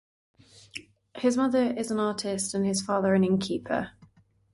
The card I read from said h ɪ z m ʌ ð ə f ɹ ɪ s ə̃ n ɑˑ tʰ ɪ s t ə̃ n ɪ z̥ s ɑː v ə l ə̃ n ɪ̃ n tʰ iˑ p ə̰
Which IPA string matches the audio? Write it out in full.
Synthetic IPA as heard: h ɪ z m ʌ ð ə ɹ ɪ z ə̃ n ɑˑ tʰ ɪ s t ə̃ n ɪ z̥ f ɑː ð ə ɹ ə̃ n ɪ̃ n kʰ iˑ pʰ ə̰